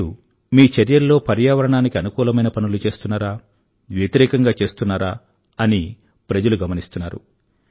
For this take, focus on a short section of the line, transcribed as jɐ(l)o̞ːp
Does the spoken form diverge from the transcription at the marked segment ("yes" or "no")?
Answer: yes